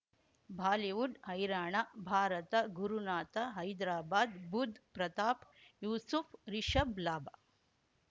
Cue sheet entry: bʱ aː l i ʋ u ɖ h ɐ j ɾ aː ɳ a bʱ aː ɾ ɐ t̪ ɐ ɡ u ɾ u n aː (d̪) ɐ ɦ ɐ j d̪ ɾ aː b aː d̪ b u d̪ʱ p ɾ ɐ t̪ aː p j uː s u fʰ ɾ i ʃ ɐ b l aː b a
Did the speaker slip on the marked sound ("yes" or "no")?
yes